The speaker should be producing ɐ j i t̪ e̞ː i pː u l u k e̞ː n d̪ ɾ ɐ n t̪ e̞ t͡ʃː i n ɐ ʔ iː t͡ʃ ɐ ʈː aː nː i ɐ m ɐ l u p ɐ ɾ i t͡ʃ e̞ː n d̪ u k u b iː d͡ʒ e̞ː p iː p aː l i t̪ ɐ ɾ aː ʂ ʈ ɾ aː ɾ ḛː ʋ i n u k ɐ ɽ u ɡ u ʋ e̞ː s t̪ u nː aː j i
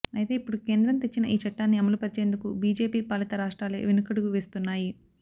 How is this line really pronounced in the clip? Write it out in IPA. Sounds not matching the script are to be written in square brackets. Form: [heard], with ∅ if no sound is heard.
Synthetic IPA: ɐ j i t̪ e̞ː i pː u [ɽ] u k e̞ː n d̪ ɾ ɐ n t̪ e̞ t͡ʃː i n ɐ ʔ iː t͡ʃ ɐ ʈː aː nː i ɐ m ɐ l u p ɐ ɾ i t͡ʃ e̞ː n d̪ u k u b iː d͡ʒ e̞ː p iː p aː l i t̪ ɐ ɾ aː ʂ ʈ ɾ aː [l] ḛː ʋ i n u k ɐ ɽ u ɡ u ʋ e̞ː s t̪ u nː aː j i